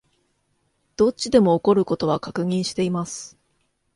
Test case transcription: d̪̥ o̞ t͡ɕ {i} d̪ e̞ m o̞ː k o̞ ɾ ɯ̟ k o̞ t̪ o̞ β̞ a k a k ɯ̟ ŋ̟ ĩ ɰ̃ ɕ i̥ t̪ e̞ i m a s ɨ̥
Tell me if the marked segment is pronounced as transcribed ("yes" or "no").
yes